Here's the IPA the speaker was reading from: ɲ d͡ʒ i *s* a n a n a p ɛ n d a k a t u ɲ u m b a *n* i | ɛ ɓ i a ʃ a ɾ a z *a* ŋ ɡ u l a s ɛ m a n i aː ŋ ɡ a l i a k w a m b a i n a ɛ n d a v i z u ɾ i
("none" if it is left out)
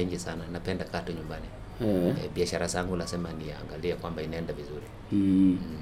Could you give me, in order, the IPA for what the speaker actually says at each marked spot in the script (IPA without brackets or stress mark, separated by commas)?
s, n, a